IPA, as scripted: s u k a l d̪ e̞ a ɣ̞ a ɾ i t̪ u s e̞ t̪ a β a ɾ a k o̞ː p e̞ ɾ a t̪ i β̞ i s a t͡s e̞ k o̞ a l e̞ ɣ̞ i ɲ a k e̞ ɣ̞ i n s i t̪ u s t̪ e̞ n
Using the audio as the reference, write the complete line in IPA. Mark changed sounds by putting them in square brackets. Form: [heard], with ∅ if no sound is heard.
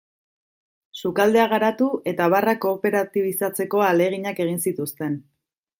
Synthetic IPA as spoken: s u k a l d̪ e̞ a ɣ̞ a ɾ [a] t̪ u [∅] e̞ t̪ a β a [r] a k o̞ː p e̞ ɾ a t̪ i β̞ i s a t͡s e̞ k o̞ a l e̞ ɣ̞ i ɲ a k e̞ ɣ̞ i n s i t̪ u s t̪ e̞ n